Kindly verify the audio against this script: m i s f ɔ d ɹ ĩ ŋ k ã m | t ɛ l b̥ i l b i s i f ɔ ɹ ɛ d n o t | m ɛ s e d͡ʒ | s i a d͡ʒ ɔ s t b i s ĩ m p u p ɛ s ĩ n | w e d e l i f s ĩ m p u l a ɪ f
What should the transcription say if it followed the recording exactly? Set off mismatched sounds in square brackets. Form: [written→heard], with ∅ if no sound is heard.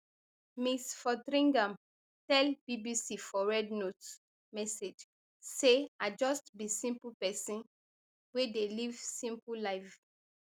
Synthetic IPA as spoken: m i s f ɔ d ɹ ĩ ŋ [k→ɡ] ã m | t ɛ l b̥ i [l→∅] b i s i f ɔ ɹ ɛ d n o t | m ɛ s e d͡ʒ | s [i→e] a d͡ʒ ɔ s t b i s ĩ m p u p ɛ s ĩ n | w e d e l i [f→v] s ĩ m p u l a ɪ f